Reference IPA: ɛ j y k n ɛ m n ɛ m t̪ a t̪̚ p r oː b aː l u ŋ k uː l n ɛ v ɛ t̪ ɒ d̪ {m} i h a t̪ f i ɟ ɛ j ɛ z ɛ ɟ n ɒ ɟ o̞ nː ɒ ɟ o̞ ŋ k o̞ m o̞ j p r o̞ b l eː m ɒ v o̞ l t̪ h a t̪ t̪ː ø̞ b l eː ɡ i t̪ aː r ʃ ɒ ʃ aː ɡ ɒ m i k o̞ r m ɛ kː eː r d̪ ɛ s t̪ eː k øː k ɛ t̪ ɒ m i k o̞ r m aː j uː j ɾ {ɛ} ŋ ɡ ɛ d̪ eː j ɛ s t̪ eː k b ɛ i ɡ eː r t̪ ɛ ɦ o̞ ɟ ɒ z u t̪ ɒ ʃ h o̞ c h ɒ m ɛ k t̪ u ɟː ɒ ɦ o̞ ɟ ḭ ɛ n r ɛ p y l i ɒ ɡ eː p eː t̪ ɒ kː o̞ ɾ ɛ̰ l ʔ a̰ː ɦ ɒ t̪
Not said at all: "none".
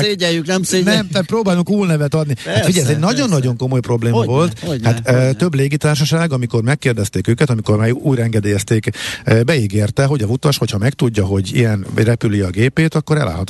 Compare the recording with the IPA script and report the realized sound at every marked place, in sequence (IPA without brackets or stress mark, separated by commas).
n, ɛ